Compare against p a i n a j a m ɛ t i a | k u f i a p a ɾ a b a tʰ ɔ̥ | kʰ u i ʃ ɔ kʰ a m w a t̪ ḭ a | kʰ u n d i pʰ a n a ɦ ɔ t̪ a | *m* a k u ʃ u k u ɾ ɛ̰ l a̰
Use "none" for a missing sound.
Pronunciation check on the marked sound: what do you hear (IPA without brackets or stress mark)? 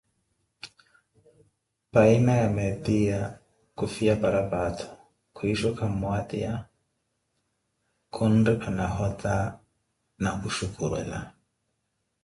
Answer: n